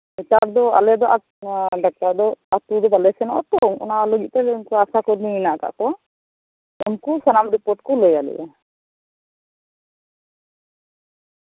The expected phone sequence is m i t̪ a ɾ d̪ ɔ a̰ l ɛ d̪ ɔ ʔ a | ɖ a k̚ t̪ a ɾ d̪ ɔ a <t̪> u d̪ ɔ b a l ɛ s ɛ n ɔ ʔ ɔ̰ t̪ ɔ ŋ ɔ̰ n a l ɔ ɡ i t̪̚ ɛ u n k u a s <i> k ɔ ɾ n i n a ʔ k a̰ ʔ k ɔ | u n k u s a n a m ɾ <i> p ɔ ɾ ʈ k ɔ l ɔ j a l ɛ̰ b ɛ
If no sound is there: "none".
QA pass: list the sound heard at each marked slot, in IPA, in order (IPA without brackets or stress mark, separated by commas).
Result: t̪, a, i